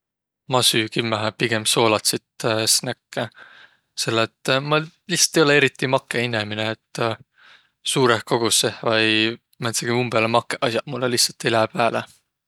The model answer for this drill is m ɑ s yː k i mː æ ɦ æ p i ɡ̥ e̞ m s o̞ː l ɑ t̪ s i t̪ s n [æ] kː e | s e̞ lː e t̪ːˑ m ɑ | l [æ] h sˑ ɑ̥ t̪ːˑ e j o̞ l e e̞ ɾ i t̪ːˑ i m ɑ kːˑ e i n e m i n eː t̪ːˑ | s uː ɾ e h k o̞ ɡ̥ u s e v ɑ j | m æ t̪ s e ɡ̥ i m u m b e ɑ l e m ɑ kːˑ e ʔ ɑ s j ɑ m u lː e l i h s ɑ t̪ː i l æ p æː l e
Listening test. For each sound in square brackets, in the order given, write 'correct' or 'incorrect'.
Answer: correct, incorrect: i

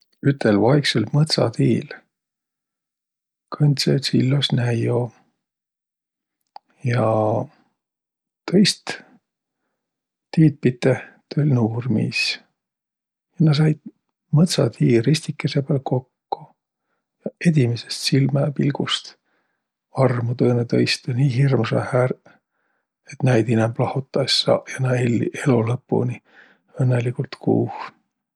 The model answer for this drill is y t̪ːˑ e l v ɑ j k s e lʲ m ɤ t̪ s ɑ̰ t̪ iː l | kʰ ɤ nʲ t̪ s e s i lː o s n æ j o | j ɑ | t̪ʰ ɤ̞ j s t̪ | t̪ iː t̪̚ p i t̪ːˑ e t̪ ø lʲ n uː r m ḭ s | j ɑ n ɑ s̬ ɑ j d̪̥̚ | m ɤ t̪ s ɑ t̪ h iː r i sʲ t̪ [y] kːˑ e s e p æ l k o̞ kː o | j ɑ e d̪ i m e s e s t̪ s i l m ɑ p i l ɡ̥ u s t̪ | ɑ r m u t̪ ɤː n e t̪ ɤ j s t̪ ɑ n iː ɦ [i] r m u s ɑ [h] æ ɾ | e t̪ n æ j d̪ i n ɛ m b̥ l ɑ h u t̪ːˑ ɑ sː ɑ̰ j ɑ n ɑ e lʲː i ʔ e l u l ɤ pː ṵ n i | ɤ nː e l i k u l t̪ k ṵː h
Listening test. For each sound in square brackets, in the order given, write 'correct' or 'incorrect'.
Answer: incorrect: i, correct, correct

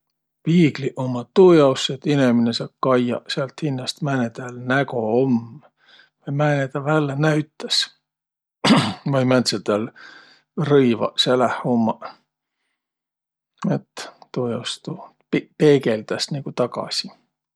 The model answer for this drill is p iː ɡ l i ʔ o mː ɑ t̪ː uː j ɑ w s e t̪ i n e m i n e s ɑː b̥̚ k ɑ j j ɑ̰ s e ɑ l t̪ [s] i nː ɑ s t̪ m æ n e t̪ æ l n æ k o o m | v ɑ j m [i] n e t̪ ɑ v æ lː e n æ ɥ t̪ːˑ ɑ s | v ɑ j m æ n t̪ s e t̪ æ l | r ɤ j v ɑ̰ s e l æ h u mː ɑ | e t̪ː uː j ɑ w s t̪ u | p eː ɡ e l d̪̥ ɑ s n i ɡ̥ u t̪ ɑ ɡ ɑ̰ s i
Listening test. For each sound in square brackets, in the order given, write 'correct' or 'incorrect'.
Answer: incorrect: h, incorrect: æ

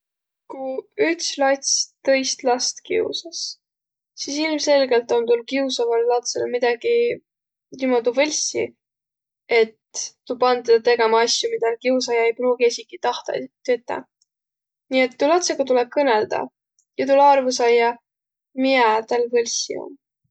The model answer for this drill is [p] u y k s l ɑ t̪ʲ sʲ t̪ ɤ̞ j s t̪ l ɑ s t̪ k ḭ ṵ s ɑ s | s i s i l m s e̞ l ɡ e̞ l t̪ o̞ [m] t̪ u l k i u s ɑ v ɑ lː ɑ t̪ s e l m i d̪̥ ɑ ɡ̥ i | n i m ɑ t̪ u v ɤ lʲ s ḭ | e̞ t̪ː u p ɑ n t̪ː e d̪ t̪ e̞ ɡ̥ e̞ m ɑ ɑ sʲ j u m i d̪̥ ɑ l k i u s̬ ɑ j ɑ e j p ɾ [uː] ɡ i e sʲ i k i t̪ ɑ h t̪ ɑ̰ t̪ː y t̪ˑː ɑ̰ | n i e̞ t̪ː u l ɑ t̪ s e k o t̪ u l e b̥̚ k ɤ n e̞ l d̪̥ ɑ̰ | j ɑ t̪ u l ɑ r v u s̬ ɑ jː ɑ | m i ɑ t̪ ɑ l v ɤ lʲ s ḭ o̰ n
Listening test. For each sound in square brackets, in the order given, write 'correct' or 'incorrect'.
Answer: incorrect: k, incorrect: n, correct

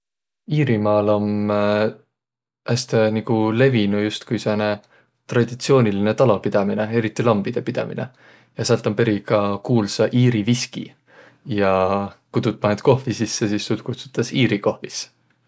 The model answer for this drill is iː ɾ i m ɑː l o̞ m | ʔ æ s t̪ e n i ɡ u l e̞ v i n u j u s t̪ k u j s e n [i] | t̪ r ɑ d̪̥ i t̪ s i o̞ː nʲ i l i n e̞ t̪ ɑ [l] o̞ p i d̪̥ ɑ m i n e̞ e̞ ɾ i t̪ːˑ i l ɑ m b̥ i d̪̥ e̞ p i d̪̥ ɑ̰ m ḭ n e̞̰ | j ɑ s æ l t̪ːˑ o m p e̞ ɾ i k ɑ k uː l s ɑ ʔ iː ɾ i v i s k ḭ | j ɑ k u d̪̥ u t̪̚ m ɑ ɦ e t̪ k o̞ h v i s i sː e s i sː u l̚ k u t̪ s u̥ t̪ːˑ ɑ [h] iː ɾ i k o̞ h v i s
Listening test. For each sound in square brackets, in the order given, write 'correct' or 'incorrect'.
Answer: incorrect: e, correct, incorrect: s

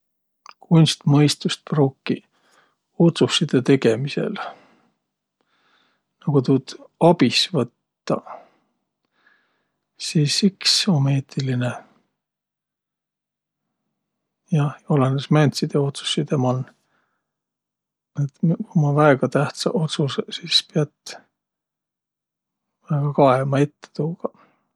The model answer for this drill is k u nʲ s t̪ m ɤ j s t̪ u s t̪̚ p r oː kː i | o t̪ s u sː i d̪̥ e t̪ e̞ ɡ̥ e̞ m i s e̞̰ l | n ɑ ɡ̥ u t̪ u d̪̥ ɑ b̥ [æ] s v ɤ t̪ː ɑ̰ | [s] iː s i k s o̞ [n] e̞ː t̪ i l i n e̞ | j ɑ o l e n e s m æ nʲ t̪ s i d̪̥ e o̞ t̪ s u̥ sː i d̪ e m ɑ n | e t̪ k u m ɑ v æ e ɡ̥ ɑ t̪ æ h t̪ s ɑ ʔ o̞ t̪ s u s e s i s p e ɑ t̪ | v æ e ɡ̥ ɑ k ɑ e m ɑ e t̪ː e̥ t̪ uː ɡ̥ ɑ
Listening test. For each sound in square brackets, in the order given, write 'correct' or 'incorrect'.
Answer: incorrect: i, correct, incorrect: m

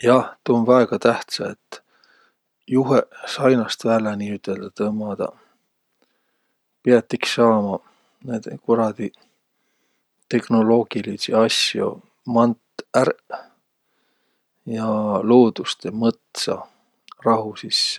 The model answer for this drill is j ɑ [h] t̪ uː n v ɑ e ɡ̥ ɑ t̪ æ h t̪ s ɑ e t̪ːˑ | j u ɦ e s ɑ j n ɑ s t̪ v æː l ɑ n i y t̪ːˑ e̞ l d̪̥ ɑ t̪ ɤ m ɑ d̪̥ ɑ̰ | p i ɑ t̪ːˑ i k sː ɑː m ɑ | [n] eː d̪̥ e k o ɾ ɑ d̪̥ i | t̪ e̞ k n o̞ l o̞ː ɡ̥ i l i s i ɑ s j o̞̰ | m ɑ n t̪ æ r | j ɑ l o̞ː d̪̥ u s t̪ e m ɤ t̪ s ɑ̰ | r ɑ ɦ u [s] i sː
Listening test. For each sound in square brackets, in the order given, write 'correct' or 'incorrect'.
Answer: correct, correct, correct

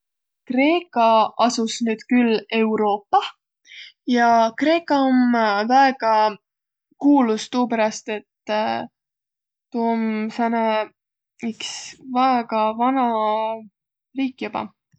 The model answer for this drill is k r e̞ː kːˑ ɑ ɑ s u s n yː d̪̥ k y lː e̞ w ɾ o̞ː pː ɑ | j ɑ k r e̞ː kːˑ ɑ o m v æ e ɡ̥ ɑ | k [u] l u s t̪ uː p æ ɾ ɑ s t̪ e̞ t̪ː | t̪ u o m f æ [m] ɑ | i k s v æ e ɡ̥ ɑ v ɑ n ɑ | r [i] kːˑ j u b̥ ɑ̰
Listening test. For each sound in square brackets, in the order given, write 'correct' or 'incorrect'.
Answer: incorrect: uː, incorrect: n, incorrect: iː

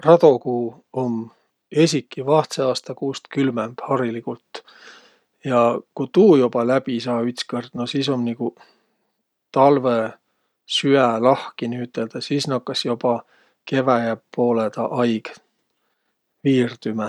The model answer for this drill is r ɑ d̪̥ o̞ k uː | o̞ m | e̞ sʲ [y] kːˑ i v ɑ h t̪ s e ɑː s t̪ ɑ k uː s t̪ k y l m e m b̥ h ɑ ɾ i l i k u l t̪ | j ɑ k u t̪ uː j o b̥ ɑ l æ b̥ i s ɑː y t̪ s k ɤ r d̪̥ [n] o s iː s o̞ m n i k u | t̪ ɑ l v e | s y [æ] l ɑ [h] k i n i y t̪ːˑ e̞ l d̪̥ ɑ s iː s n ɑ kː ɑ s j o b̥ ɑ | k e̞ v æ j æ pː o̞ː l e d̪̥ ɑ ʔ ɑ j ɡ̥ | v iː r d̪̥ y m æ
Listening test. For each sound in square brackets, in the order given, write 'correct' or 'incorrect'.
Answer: incorrect: i, correct, correct, correct

